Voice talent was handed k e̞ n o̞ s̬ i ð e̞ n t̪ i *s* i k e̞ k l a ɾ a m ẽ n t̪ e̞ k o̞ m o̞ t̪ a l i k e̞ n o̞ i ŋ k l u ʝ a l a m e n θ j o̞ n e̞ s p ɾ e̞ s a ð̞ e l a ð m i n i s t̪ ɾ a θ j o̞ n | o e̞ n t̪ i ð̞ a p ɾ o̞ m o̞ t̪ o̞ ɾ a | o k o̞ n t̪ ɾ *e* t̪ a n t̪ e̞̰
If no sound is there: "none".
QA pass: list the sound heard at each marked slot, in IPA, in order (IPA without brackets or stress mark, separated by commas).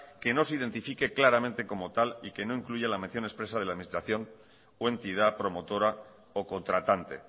f, a